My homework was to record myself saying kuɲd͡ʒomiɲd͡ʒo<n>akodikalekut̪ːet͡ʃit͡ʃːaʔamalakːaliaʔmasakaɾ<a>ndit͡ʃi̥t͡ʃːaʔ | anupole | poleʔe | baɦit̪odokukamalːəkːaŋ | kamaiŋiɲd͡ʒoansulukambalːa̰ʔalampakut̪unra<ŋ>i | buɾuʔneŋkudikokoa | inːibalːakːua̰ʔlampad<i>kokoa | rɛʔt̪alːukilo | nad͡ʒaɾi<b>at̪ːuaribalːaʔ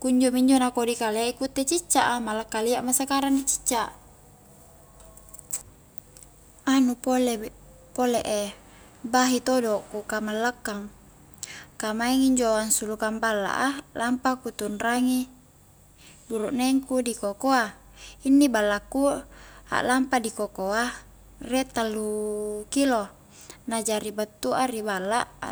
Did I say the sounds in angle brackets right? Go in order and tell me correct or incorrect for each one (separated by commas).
correct, correct, correct, correct, correct